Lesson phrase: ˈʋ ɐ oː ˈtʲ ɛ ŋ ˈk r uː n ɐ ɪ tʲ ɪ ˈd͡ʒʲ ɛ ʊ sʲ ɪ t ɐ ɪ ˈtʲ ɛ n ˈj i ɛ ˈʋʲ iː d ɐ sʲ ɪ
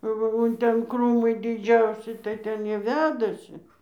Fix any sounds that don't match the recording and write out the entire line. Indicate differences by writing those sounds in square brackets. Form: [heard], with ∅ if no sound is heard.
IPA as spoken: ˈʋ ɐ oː ˈtʲ ɛ [n] ˈk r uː [m] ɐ ɪ [dʲ] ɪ ˈd͡ʒʲ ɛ ʊ sʲ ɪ t ɐ ɪ ˈtʲ ɛ n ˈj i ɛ ˈʋʲ [æː] d ɐ sʲ ɪ